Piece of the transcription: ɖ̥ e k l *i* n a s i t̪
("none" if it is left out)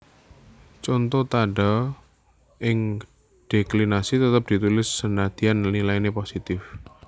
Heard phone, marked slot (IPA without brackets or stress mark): i